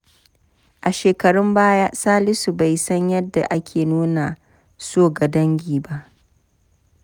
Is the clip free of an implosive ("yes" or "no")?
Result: yes